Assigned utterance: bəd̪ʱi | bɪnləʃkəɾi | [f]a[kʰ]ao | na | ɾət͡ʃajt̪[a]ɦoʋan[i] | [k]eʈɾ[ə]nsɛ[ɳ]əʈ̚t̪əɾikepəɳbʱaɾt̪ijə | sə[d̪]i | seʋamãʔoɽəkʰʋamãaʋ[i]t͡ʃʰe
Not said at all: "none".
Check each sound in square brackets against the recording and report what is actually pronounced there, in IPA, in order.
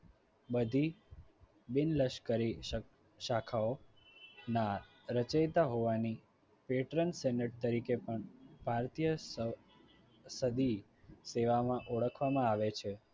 ʃ, kʰ, a, i, p, ə, n, d̪, e

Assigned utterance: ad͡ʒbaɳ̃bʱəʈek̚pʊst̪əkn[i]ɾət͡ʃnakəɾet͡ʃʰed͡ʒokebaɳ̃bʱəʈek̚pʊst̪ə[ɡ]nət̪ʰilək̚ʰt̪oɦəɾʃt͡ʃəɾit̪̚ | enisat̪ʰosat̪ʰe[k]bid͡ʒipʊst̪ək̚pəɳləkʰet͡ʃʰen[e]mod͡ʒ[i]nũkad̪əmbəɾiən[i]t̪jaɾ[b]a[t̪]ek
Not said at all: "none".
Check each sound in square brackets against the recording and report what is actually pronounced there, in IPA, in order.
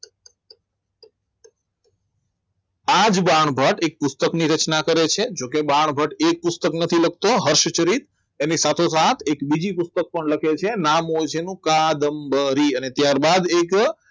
i, k, k, a, e, e, b, d̪

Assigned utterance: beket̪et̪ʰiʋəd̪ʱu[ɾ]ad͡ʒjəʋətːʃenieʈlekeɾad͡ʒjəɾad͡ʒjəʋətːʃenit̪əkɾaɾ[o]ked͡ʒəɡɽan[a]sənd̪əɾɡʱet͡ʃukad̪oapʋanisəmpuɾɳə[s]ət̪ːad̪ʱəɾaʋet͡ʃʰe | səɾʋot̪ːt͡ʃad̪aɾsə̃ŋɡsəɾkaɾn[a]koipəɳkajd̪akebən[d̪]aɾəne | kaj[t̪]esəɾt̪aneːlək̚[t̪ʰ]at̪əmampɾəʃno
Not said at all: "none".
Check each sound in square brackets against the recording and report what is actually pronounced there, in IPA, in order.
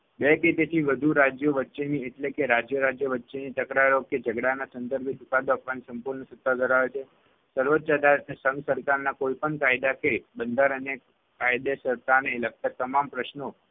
ɾ, o, a, s, a, d̪, d̪, t̪

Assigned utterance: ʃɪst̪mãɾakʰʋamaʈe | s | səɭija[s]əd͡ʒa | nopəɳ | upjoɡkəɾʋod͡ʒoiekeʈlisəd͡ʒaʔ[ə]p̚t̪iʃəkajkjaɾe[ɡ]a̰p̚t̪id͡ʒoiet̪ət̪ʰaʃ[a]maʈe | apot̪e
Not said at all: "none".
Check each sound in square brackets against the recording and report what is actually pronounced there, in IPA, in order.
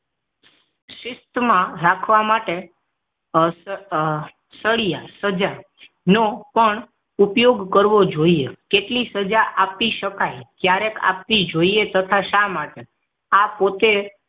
s, a, k, a

